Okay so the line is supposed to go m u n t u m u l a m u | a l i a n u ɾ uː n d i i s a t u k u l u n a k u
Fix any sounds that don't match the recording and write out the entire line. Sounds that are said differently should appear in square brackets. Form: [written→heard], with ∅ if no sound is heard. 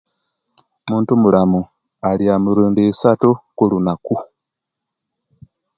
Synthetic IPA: m [u→uː] n t u m u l a m u | a l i a [n→m] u ɾ uː n d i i s a t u k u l u n a k u